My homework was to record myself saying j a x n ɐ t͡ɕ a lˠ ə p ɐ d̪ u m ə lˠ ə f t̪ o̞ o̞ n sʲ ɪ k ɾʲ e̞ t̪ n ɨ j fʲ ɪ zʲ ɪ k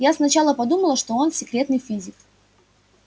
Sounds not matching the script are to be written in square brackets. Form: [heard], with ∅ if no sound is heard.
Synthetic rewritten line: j a [s] n ɐ t͡ɕ a lˠ ə p ɐ d̪ u m ə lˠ ə [ʂ] t̪ o̞ o̞ n sʲ ɪ k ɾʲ e̞ t̪ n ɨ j fʲ [i] zʲ ɪ k